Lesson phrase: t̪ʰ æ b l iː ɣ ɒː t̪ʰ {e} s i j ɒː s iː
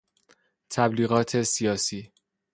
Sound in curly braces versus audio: correct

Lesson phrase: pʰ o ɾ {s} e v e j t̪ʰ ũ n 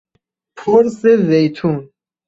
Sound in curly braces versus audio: correct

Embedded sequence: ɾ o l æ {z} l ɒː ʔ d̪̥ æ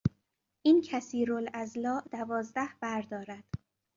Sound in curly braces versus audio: correct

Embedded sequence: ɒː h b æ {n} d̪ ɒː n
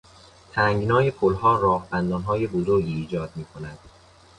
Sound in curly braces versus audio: correct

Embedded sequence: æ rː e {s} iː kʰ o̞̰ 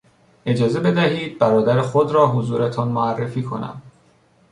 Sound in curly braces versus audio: incorrect: f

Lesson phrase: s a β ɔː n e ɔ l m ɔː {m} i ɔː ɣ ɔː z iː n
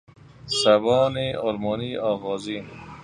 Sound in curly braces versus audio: incorrect: n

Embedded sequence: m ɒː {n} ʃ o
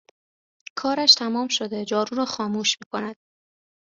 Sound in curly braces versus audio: incorrect: m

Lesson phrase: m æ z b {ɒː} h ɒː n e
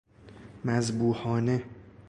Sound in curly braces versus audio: incorrect: uː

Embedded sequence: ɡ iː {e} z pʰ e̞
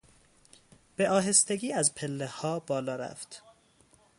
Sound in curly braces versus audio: incorrect: æ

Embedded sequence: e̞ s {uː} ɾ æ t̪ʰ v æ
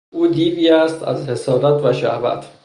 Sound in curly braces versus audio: incorrect: ɒː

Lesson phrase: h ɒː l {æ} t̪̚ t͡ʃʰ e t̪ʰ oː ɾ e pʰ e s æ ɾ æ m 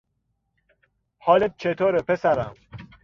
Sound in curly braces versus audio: incorrect: e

